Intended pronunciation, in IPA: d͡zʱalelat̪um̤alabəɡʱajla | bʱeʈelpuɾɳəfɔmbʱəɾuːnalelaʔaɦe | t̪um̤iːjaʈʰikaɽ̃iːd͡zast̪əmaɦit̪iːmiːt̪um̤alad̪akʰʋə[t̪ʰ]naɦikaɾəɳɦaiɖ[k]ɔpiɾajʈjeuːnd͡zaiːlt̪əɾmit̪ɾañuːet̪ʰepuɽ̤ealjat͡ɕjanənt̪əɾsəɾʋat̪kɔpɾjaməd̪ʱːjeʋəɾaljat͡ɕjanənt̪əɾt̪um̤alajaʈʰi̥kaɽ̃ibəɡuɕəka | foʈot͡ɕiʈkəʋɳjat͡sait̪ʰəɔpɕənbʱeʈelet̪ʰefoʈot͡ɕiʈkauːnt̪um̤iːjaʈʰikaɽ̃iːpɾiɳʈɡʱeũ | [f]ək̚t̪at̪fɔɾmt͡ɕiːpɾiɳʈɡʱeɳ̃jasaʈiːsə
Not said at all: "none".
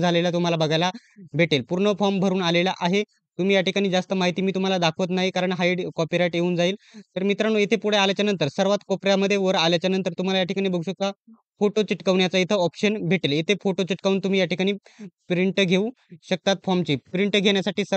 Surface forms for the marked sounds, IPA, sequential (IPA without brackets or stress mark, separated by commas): t̪, k, ɕ